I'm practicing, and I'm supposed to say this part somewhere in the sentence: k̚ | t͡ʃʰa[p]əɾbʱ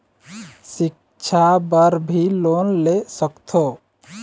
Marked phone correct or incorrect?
incorrect